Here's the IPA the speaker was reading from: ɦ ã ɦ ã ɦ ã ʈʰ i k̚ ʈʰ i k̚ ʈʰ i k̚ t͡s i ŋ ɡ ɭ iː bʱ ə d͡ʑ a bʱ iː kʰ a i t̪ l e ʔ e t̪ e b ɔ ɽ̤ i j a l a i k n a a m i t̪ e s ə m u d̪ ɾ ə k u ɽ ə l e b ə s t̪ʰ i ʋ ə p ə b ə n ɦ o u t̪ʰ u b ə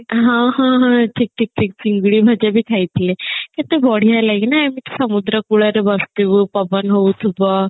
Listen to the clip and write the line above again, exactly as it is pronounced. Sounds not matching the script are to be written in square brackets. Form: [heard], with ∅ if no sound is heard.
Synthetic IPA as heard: ɦ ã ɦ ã ɦ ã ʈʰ i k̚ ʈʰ i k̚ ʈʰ i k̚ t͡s i ŋ ɡ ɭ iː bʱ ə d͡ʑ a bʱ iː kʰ a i t̪ l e [k] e t̪ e b ɔ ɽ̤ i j a l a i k n a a m i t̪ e s ə m u d̪ ɾ ə k u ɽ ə [ɾ] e b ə s [t̪] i ʋ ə p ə b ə n ɦ o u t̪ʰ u b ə